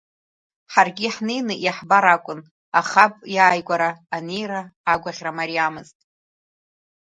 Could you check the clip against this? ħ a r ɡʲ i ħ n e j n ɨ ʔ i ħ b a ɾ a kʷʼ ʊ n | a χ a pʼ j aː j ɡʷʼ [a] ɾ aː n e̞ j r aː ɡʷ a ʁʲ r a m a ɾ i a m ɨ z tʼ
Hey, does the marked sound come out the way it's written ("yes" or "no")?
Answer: yes